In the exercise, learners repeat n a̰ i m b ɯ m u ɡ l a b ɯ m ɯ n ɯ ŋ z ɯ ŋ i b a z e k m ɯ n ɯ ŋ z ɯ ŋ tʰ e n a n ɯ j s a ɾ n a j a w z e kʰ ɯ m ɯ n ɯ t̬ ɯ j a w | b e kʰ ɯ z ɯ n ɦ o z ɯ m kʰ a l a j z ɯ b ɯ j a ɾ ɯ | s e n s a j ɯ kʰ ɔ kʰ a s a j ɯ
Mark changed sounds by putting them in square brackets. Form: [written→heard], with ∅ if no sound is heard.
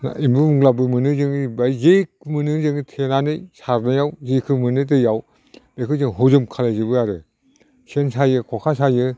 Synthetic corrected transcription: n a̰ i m b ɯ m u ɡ l a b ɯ m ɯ n ɯ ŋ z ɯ ŋ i b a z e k m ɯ n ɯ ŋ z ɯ ŋ tʰ e n a n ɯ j s a ɾ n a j a w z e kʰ ɯ m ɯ n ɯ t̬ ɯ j a w | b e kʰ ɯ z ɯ [n→ŋ] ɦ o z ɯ m kʰ a l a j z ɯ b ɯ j a ɾ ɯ | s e n s a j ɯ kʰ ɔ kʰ a s a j ɯ